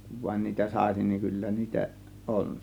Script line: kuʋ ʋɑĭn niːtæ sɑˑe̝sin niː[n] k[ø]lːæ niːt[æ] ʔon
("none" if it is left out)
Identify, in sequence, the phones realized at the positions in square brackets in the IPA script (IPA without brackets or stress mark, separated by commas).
ŋ, y, æ